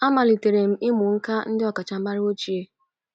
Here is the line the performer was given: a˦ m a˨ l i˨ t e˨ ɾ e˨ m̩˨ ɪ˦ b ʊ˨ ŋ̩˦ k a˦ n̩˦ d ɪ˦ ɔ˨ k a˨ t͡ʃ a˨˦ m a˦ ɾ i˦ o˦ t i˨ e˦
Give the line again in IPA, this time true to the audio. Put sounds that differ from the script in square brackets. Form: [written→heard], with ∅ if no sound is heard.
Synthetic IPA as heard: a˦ m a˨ l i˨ t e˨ ɾ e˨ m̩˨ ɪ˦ [b→m] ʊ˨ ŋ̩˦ k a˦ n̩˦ d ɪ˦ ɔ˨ k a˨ t͡ʃ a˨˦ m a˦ ɾ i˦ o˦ [t→t͡ʃ] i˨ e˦